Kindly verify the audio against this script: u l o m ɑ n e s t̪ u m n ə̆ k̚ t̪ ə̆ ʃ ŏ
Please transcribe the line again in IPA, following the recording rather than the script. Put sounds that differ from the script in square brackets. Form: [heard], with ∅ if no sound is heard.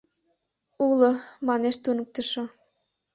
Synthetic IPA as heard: u l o m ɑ n e [ʃ] t̪ u [∅] n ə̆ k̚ t̪ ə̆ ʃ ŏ